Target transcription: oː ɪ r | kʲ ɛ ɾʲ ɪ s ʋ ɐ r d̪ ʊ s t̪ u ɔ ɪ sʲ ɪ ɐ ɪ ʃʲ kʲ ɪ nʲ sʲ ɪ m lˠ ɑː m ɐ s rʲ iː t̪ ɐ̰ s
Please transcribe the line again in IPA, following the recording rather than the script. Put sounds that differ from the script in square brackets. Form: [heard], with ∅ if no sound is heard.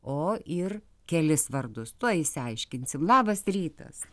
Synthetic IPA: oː ɪ r | kʲ ɛ [lʲ] ɪ s ʋ ɐ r d̪ ʊ s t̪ u ɔ ɪ sʲ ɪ ɐ ɪ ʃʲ kʲ ɪ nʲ sʲ ɪ m lˠ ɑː [b] ɐ s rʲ iː t̪ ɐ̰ s